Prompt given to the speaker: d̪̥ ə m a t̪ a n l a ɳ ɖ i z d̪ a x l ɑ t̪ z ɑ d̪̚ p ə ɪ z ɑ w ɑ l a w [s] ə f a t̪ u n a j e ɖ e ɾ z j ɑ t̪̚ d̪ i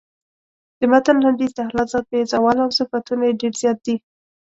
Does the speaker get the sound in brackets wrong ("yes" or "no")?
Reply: no